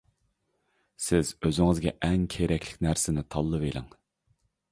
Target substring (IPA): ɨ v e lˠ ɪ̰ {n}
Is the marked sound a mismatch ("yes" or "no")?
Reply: yes